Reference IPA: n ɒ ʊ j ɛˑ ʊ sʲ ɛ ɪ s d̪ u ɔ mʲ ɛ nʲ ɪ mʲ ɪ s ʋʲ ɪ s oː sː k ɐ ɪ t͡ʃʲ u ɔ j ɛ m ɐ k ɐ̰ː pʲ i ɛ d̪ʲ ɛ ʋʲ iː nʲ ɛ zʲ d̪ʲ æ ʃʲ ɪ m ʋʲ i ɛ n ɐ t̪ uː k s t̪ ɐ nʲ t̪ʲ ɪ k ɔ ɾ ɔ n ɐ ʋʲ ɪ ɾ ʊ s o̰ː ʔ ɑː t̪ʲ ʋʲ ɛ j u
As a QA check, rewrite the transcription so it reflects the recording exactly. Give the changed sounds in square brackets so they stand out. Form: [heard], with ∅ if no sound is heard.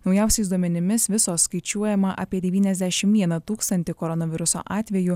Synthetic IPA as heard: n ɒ ʊ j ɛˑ ʊ sʲ ɛ ɪ s d̪ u ɔ mʲ ɛ nʲ ɪ mʲ ɪ s ʋʲ ɪ s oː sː k ɐ ɪ t͡ʃʲ u ɔ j ɛ m ɐ [ʔ] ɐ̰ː pʲ i ɛ d̪ʲ ɛ ʋʲ iː nʲ ɛ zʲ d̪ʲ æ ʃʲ ɪ m ʋʲ i ɛ n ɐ t̪ uː k s t̪ ɐ nʲ t̪ʲ ɪ k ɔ ɾ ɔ n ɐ ʋʲ ɪ ɾ ʊ s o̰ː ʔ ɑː t̪ʲ ʋʲ ɛ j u